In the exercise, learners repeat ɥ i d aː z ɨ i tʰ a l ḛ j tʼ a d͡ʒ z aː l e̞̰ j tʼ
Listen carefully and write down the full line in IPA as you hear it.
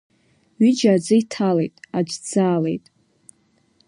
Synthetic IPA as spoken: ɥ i d͡ʒ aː d͡z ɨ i tʰ a l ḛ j tʼ a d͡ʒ d͡z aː l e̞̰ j tʼ